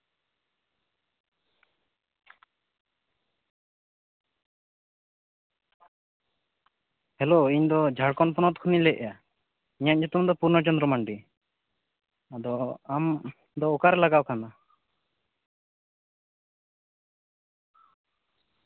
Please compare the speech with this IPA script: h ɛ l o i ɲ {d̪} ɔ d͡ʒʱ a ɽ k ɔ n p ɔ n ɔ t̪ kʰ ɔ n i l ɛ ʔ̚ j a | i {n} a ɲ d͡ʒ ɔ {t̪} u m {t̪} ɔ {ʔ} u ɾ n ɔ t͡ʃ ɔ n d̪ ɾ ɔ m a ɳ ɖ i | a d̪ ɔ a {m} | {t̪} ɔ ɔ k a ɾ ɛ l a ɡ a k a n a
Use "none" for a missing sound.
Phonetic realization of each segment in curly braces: d̪, ɲ, t̪, d̪, p, m, d̪

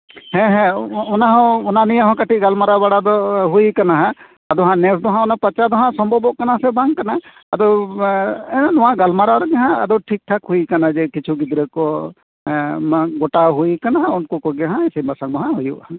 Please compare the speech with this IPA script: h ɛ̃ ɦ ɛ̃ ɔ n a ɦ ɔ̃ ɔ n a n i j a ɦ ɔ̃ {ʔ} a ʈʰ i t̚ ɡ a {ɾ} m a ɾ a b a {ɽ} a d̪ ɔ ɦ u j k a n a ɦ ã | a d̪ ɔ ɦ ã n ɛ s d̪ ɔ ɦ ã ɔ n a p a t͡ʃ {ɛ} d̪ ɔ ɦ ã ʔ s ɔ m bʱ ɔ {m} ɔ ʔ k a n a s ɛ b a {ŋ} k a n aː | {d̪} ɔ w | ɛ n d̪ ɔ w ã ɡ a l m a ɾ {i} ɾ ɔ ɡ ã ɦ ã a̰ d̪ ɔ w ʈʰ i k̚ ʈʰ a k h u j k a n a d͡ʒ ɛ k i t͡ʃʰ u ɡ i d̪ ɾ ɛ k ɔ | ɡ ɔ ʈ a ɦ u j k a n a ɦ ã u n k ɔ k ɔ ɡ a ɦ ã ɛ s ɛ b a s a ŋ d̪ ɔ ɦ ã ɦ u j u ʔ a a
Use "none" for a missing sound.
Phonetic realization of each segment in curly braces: k, l, ɽ, a, b, ŋ, d̪, a

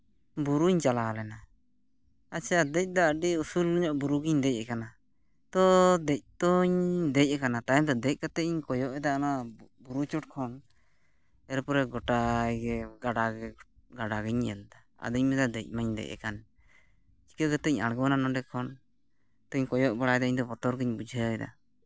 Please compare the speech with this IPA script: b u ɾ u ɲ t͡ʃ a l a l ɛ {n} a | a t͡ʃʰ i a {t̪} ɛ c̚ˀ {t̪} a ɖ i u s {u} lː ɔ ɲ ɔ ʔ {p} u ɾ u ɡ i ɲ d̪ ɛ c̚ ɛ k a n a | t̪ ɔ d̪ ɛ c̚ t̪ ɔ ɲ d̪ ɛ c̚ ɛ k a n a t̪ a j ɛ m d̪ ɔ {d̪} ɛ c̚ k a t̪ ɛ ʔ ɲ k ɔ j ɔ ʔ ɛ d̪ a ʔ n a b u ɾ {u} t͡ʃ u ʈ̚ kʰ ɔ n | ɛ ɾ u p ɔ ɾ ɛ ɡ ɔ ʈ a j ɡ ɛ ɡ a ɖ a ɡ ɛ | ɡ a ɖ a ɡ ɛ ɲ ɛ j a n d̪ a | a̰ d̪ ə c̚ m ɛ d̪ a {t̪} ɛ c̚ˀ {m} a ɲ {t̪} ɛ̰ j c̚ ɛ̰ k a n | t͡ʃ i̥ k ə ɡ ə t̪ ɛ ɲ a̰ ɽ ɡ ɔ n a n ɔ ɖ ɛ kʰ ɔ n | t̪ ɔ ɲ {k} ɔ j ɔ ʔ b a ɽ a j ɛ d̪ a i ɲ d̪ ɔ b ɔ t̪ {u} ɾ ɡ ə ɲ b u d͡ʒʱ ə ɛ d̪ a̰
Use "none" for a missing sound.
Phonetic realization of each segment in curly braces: n, d̪, d̪, u, b, d̪, u, d̪, m, d̪, k, ɔ

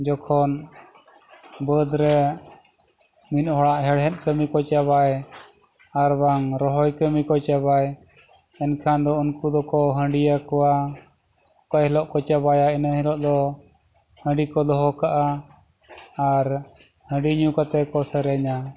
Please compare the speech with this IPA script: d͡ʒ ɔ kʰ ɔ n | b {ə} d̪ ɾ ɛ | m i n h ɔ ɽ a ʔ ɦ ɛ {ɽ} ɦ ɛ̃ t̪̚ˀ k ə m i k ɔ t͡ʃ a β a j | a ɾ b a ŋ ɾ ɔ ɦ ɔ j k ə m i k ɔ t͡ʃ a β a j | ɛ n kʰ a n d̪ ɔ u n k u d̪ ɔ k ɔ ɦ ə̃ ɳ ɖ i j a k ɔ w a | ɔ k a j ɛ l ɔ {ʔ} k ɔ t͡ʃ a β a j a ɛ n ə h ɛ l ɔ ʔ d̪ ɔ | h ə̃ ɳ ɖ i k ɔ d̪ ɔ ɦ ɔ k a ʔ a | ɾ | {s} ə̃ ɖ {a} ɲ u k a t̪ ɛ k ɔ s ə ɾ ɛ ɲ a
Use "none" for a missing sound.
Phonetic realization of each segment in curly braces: ə, ɽ, ʔ, h, i

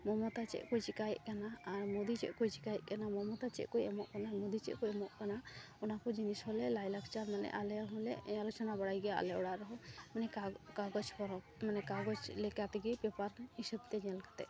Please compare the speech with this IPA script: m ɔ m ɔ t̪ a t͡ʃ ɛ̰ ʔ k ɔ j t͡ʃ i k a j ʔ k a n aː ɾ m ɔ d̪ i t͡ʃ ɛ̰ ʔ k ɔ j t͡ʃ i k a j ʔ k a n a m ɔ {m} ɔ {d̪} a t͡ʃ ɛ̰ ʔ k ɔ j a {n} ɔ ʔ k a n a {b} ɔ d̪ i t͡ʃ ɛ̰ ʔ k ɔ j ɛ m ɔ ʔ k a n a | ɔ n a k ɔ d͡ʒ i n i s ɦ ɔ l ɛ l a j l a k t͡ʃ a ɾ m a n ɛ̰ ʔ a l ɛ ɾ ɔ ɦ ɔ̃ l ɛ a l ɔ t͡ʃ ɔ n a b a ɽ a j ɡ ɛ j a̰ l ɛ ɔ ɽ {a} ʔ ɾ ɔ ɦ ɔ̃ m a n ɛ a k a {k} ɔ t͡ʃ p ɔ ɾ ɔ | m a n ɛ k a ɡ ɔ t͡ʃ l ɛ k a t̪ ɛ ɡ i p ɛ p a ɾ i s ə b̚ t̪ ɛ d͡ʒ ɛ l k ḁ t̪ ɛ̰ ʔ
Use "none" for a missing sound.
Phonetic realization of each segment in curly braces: m, t̪, m, m, a, ɡ

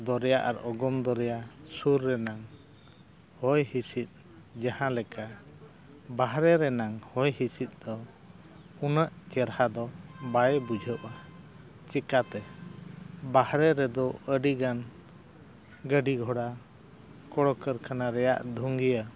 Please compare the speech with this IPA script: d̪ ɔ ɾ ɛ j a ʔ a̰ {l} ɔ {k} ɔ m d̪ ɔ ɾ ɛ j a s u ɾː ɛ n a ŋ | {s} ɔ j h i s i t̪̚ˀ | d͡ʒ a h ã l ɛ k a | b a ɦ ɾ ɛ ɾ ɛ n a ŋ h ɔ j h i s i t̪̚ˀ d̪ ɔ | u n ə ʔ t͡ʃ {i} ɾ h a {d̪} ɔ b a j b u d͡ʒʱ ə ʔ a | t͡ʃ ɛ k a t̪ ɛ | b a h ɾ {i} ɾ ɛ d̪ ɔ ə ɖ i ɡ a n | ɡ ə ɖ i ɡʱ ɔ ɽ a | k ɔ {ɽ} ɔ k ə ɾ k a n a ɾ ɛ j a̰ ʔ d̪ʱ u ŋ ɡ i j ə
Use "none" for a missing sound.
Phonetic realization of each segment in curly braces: ɾ, ɡ, h, ɛ, d̪, ɛ, ɽ

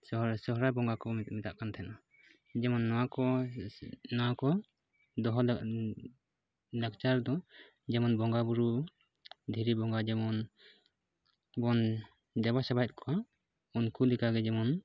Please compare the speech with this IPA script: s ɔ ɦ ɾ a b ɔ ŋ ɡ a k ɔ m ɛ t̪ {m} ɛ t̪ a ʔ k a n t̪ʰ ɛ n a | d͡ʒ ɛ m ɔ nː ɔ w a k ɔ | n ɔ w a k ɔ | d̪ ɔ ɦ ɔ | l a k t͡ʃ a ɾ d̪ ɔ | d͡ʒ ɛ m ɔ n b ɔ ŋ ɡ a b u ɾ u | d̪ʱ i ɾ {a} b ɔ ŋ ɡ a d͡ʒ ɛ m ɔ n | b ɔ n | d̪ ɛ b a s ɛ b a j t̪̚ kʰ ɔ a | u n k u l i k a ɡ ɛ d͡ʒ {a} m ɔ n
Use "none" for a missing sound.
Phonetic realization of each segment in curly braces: m, i, ɛ

